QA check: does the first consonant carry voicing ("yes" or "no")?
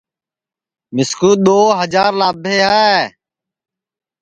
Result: yes